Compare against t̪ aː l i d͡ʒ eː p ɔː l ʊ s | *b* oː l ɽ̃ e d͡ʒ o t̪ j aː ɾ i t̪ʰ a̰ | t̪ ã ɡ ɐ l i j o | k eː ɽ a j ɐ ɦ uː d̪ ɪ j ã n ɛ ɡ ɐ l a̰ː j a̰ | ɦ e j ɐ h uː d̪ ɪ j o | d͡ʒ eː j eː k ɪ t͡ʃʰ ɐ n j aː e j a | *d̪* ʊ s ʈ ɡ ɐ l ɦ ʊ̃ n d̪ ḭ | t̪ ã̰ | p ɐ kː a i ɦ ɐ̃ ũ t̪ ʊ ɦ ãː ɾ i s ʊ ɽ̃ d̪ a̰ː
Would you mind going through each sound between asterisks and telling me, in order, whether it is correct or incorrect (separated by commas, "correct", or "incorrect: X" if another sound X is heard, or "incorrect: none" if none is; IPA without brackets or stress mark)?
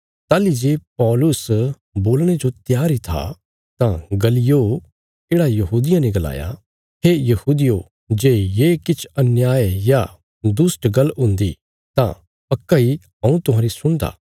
correct, correct